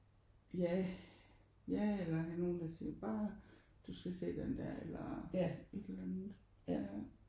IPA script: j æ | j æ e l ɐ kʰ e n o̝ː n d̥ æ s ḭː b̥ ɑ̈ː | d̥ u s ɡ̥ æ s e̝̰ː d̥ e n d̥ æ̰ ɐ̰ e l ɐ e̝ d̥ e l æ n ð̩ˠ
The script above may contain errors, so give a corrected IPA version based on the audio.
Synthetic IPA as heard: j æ | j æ e l ɐ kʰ æ n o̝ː n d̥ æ s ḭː b̥ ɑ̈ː | d̥ u s ɡ̥ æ s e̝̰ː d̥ e n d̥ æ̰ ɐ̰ e l ɐ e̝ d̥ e l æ n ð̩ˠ